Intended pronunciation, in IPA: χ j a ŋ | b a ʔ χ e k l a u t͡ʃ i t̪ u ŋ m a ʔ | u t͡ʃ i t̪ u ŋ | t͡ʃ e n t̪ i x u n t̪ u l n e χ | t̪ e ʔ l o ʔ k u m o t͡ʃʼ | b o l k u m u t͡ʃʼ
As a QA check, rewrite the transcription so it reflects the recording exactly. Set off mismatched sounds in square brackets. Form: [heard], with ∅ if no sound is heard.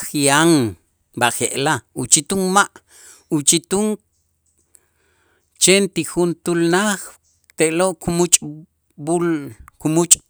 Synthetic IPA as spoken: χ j a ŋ | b a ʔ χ e [ʔ] l a u t͡ʃ i t̪ u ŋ m a ʔ | u t͡ʃ i t̪ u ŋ | t͡ʃ e n t̪ i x u n t̪ u l n [a] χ | t̪ e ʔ l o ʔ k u m [u] t͡ʃʼ | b [u] l k u m u t͡ʃʼ